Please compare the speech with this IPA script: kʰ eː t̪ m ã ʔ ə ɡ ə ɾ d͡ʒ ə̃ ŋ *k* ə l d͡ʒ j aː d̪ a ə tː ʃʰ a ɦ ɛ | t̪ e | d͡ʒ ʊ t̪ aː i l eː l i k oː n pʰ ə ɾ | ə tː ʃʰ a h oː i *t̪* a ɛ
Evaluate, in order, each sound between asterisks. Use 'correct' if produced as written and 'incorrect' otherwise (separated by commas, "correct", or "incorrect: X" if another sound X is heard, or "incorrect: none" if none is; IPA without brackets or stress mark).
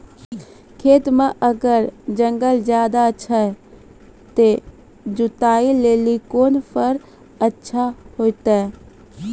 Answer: incorrect: ɡ, correct